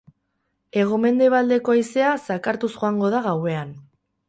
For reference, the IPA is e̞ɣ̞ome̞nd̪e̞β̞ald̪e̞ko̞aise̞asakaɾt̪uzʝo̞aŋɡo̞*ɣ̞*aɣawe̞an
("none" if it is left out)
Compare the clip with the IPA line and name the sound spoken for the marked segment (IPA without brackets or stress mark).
ð̞